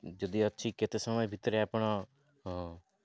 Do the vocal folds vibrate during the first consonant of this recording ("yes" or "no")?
yes